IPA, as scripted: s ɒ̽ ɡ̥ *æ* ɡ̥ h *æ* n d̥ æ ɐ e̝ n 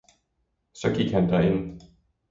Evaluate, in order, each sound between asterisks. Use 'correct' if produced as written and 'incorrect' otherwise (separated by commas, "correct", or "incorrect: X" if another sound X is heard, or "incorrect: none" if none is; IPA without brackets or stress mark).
incorrect: i, correct